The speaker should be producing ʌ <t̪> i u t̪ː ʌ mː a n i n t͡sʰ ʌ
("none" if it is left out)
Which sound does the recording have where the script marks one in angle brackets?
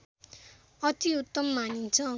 t̪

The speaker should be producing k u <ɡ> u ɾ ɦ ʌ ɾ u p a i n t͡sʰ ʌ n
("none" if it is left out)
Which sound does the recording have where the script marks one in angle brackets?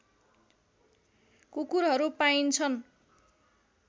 k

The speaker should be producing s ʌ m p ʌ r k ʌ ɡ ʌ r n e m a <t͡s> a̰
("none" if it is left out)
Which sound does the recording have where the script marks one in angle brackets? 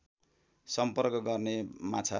t͡sʰ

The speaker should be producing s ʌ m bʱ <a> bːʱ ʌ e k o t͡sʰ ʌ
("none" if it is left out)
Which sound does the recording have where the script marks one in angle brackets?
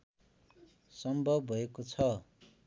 ʌ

